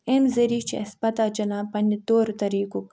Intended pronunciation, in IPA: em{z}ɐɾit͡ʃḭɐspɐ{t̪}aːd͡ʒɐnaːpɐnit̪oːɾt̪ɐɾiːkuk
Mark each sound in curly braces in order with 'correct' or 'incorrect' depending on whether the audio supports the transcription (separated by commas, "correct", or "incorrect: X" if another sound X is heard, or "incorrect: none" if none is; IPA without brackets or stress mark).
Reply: correct, correct